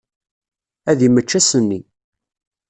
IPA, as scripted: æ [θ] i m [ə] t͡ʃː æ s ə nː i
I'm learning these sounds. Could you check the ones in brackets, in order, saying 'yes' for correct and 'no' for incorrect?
no, yes

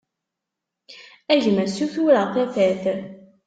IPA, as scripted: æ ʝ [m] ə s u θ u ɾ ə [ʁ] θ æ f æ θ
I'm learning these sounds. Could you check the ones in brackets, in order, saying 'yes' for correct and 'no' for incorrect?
yes, yes

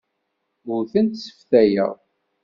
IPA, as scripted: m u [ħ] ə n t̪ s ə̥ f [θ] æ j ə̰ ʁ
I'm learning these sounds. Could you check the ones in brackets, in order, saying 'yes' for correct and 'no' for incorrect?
no, yes

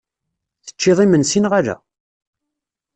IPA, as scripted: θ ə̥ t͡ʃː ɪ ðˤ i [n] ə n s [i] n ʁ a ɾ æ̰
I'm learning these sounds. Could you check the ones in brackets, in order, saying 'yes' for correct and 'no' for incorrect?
no, yes

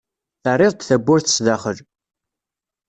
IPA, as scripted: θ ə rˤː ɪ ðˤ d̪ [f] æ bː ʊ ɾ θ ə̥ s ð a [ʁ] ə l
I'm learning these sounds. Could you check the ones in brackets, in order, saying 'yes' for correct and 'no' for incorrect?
no, no

